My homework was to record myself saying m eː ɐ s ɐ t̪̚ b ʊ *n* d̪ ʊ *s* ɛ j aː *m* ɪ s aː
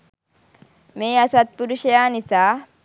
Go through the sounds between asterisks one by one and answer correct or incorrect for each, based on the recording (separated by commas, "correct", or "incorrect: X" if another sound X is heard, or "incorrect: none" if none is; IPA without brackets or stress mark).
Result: incorrect: none, incorrect: ʃ, incorrect: n